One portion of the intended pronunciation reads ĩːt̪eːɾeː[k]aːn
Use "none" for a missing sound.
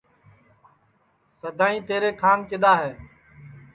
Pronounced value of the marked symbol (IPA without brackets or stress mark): kʰ